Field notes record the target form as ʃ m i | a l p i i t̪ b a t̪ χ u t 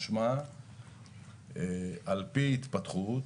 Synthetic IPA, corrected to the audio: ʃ m a | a l p i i t̪ p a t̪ χ u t